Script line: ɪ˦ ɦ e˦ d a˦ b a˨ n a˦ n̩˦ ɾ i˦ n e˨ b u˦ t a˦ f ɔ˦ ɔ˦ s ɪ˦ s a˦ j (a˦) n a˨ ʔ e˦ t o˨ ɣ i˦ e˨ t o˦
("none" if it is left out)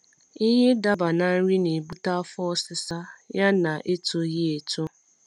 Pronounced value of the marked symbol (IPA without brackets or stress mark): a˦